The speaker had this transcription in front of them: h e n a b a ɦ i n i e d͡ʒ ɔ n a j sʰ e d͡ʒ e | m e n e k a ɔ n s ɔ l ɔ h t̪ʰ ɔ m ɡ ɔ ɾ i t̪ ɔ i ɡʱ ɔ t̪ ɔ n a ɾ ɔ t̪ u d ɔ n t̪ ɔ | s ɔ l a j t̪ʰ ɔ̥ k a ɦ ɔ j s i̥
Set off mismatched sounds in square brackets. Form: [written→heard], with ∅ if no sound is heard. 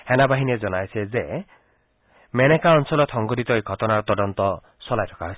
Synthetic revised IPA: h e n a b a ɦ i n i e d͡ʒ ɔ n a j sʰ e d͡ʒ e | m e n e k a ɔ n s ɔ l ɔ [h→∅] t̪ʰ ɔ [m→ŋ] ɡ ɔ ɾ i t̪ ɔ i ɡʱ ɔ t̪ ɔ n a ɾ ɔ t̪ [u→ɔ] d ɔ n t̪ ɔ | s ɔ l a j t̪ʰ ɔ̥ k a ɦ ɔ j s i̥